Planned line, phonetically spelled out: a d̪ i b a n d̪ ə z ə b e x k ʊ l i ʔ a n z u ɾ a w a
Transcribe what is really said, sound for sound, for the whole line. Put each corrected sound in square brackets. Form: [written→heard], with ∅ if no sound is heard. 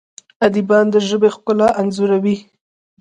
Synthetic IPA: a d̪ i b [a→ɑ] n d̪ ə [z→ʒ] ə b e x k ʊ l [i→a] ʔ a n z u ɾ a w [a→i]